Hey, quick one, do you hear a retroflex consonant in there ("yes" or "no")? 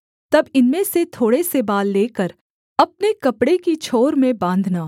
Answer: yes